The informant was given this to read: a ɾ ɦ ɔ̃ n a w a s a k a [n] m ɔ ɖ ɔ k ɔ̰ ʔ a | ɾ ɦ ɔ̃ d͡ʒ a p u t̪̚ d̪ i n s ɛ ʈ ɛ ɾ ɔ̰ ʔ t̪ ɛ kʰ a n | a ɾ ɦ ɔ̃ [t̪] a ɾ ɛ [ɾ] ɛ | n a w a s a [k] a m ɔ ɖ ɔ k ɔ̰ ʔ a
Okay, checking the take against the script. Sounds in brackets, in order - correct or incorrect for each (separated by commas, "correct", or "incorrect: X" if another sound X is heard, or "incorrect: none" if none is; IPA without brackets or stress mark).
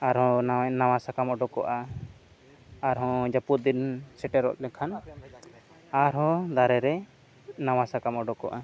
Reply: incorrect: none, incorrect: d̪, correct, correct